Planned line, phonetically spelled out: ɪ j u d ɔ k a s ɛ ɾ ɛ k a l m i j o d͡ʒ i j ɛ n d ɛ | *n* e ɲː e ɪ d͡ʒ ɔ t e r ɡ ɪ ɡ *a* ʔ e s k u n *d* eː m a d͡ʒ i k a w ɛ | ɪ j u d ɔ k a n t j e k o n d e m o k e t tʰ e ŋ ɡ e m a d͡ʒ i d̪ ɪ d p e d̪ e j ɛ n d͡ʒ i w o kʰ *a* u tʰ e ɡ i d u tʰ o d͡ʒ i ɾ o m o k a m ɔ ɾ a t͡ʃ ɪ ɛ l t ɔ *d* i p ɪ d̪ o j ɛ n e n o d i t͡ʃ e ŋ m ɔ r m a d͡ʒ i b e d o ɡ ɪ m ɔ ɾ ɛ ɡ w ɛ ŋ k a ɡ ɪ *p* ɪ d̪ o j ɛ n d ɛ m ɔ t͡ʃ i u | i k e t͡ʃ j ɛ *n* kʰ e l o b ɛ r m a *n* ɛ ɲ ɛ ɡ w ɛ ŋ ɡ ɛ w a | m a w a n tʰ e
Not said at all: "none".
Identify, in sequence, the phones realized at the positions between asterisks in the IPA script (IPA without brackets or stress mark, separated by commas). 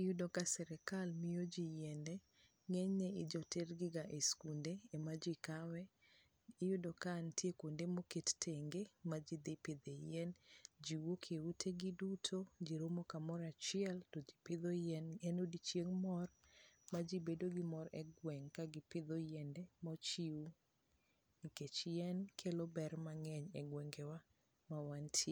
ŋ, a, d, e, d͡ʒ, p, n, ŋ